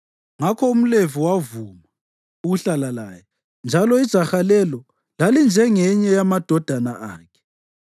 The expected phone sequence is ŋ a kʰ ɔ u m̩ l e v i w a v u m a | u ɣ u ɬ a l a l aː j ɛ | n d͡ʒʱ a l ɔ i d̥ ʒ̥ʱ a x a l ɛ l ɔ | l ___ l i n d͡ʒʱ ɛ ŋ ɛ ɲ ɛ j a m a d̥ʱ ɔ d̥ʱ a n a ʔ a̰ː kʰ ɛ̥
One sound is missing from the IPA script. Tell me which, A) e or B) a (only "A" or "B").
B